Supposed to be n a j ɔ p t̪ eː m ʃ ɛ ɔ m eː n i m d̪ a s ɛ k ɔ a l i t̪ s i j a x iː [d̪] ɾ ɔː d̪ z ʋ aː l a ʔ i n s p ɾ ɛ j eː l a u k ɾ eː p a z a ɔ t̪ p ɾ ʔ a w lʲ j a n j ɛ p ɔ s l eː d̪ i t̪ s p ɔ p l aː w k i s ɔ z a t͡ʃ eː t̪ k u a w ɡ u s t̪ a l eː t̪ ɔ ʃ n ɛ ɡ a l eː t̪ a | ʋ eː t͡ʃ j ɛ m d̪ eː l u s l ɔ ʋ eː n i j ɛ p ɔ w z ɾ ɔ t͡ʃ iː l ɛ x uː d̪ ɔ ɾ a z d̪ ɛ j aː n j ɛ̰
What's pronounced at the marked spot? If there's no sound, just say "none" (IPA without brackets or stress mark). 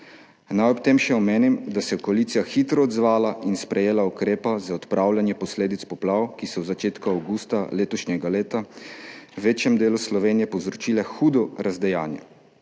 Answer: t̪